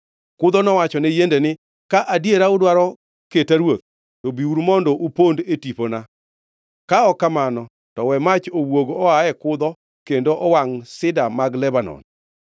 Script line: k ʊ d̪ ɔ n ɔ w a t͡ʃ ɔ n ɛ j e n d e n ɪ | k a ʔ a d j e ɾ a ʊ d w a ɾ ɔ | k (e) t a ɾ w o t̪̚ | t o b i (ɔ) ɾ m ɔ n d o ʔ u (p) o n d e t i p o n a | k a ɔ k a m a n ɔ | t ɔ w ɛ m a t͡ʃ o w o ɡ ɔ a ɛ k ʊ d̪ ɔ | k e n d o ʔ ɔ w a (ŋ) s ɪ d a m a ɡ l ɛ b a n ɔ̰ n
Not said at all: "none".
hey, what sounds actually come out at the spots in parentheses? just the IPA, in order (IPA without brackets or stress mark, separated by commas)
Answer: e, u, p, ŋ